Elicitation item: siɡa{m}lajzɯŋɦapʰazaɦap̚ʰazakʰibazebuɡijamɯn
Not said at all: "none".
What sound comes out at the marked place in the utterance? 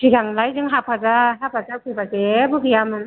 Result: ŋ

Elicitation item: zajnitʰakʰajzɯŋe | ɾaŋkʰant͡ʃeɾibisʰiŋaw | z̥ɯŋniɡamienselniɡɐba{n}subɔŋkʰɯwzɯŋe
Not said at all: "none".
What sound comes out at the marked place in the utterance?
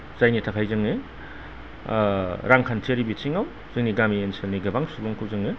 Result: ŋ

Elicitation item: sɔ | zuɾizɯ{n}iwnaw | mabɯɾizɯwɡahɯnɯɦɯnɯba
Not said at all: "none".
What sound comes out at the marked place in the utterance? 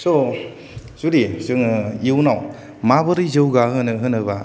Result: ŋ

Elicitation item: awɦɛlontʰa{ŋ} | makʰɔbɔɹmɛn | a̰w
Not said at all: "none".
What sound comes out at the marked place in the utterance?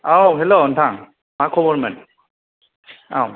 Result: ŋ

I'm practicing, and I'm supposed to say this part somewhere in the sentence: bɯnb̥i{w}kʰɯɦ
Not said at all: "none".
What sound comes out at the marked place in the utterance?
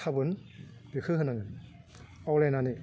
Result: none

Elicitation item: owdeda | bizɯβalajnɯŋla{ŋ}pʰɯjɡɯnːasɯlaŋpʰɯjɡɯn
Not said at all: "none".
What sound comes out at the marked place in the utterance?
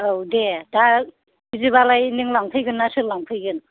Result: ŋ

